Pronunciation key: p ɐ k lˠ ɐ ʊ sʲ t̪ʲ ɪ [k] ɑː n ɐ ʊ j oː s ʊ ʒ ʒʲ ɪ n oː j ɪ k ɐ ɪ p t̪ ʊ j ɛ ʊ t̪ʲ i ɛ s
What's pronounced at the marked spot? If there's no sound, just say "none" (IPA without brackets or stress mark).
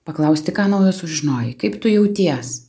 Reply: k